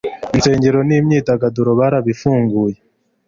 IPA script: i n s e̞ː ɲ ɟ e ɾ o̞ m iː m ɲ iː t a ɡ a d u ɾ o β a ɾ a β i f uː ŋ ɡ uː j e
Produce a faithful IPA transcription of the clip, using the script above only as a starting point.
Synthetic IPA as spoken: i n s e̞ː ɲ ɟ e ɾ o̞ n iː m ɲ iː t a ɡ a d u ɾ o β a ɾ a β i f uː ŋ ɡ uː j e